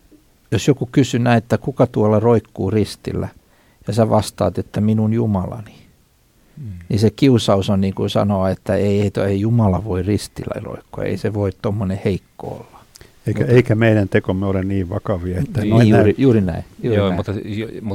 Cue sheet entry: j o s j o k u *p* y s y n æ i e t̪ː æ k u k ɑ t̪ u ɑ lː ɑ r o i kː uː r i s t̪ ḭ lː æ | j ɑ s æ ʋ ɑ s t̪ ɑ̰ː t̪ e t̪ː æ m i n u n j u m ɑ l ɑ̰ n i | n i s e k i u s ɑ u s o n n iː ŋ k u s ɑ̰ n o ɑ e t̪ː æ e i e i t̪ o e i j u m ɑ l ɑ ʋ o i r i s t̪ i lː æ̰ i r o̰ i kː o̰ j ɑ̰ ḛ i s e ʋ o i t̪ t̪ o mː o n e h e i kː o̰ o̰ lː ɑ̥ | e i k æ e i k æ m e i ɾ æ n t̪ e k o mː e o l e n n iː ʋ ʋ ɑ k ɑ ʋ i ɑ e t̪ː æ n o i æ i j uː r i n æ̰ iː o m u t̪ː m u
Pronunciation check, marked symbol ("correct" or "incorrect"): incorrect